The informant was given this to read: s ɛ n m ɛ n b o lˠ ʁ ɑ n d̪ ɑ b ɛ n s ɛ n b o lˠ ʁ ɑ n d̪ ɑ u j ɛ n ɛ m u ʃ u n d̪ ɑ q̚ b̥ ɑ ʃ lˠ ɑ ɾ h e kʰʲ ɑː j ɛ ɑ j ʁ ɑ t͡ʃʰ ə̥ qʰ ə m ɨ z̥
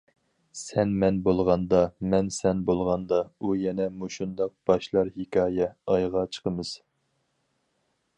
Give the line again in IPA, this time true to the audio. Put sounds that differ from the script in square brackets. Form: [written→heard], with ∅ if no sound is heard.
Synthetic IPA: s ɛ n m ɛ n b o lˠ ʁ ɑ n d̪ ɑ [b→m] ɛ n s ɛ n b o lˠ ʁ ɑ n d̪ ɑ u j ɛ n ɛ m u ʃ u n d̪ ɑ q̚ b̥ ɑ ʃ lˠ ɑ ɾ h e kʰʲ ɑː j ɛ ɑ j ʁ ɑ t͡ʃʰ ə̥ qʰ ə m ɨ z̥

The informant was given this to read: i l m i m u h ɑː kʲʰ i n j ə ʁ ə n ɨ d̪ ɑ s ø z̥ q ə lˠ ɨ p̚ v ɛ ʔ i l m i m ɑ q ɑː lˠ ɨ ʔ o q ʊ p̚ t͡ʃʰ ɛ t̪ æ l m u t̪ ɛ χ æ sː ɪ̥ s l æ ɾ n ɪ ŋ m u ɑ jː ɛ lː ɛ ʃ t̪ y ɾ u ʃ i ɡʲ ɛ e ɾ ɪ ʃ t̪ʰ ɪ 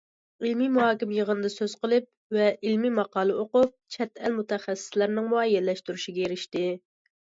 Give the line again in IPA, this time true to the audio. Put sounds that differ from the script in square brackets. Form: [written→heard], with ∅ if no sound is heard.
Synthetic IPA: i l m i m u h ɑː [kʲʰ→kʲ] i [n→m] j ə ʁ ə n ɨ d̪ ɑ s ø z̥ q ə lˠ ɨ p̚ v ɛ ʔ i l m i m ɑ q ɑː lˠ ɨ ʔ o q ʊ p̚ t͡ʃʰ ɛ t̪ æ l m u t̪ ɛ χ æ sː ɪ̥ s l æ ɾ n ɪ ŋ m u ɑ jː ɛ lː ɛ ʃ t̪ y ɾ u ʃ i ɡʲ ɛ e ɾ ɪ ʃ [t̪ʰ→t̪] ɪ

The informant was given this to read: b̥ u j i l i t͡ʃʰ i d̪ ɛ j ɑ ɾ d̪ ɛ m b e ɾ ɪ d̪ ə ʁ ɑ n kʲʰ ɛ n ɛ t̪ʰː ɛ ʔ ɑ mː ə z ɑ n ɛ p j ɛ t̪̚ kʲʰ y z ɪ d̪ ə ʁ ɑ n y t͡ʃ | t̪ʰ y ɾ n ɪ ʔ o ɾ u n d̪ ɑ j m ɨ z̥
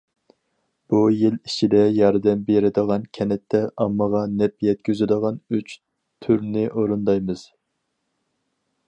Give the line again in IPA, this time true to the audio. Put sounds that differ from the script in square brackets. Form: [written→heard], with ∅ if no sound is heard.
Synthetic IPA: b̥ u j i l i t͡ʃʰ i d̪ ɛ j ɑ ɾ d̪ ɛ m b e ɾ ɪ d̪ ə ʁ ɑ n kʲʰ ɛ n ɛ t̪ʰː ɛ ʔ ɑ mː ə [z→ʁ] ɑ n ɛ p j ɛ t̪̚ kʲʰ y z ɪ d̪ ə ʁ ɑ n y t͡ʃ | t̪ʰ y ɾ n ɪ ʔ o ɾ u n d̪ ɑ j m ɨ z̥

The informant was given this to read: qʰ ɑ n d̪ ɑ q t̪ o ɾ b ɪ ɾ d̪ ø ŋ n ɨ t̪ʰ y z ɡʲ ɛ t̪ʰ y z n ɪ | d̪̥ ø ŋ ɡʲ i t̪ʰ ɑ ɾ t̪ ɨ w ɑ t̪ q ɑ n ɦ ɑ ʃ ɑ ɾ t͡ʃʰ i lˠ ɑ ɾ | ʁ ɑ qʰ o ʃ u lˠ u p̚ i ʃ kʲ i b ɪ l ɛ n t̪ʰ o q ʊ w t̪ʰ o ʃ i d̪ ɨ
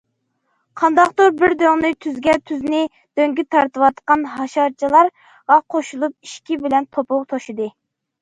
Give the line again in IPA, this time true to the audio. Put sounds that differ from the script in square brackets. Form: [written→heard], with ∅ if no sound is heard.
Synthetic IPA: qʰ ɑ n d̪ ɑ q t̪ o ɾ b ɪ ɾ d̪ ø ŋ n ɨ t̪ʰ y z ɡʲ ɛ t̪ʰ y z n ɪ | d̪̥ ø ŋ ɡʲ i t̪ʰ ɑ ɾ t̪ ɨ w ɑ t̪ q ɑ n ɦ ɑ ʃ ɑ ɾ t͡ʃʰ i lˠ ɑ ɾ | ʁ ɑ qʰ o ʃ u lˠ u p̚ i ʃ kʲ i b ɪ l ɛ n t̪ʰ o [q→p] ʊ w t̪ʰ o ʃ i d̪ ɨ

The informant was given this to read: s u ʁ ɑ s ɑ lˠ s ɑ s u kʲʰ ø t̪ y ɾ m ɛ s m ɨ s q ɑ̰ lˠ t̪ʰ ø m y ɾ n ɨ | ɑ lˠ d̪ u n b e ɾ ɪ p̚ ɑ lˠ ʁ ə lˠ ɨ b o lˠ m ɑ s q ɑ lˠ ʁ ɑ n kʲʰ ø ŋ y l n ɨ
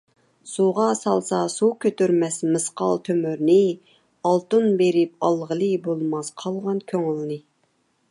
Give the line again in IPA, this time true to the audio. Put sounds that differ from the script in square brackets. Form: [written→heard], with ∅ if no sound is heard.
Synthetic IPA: s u ʁ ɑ s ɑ lˠ s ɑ s u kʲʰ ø t̪ y ɾ m ɛ s m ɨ s q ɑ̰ lˠ t̪ʰ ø m y ɾ n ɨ | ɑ lˠ [d̪→t̪] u n b e ɾ ɪ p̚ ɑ lˠ ʁ ə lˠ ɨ b o lˠ m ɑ s [q→qʰ] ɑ lˠ ʁ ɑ n kʲʰ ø ŋ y l n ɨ

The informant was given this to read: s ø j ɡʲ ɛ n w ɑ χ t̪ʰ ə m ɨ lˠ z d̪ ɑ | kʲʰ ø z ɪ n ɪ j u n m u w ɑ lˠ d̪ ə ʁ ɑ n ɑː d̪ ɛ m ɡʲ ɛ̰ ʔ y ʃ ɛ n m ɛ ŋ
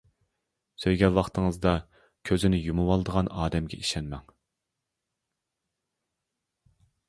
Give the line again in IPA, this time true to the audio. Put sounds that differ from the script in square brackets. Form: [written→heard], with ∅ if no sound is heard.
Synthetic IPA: s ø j ɡʲ ɛ n w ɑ χ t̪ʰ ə [m→ŋ] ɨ [lˠ→∅] z d̪ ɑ | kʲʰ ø z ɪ n ɪ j u [n→∅] m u w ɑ lˠ d̪ ə ʁ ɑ n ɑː d̪ ɛ m ɡʲ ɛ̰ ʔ [y→i] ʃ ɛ n m ɛ ŋ

